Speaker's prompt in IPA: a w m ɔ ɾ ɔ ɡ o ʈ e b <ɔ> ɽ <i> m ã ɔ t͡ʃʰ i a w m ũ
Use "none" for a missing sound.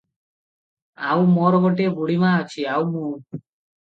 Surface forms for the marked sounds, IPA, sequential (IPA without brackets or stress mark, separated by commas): u, i